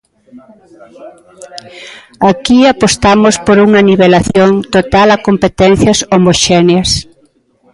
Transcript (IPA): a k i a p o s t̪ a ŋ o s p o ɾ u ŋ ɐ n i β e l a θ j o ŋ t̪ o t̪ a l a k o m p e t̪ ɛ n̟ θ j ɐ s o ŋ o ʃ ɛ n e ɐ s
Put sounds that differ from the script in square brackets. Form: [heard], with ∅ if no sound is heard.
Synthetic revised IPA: a k i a p o s t̪ a [m] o s p o ɾ u ŋ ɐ n i β e l a θ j o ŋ t̪ o t̪ a l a k o m p e t̪ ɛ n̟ θ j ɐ s o [m] o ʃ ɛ n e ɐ s